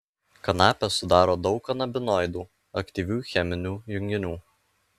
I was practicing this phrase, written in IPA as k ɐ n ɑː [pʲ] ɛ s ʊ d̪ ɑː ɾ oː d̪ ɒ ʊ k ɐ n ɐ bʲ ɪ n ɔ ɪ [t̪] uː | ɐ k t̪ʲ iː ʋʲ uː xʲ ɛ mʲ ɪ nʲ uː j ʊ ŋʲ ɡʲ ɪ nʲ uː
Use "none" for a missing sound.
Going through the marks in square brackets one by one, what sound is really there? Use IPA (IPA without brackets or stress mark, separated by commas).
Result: pʲ, d̪